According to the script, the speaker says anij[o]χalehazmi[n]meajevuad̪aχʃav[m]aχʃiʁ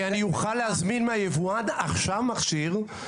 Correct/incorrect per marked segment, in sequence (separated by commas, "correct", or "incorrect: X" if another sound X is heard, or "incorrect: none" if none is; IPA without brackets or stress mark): incorrect: u, correct, correct